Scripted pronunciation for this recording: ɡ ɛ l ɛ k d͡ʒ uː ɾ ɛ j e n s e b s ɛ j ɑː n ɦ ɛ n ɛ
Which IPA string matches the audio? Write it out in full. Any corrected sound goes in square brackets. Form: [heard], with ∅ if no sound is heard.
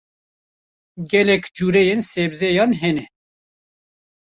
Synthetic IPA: ɡ ɛ l ɛ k d͡ʒ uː ɾ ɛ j e n s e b [z] ɛ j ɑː n ɦ ɛ n ɛ